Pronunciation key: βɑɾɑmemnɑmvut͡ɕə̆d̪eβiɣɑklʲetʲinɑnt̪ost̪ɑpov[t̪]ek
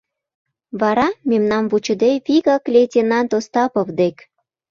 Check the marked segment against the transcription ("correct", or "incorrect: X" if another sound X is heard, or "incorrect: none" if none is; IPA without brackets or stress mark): incorrect: d̪